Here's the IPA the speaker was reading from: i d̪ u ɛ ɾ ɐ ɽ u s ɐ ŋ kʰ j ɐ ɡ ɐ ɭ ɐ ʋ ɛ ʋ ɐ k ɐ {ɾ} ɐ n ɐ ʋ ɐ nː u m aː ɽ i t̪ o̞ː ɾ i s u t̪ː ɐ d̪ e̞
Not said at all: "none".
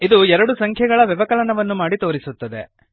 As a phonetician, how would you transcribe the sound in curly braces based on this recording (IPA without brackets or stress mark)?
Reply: l